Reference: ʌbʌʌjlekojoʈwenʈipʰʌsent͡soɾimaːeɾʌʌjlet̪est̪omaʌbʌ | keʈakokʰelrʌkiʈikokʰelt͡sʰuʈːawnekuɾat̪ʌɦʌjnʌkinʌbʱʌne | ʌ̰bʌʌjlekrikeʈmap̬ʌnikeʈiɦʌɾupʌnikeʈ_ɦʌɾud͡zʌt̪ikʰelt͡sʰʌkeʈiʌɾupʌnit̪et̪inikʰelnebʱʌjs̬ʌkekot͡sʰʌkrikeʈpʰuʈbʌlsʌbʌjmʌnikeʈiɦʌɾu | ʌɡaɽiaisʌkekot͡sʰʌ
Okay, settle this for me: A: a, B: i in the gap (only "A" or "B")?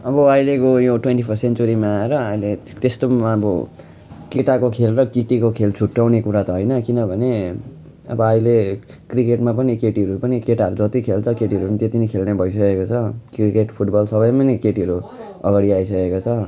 A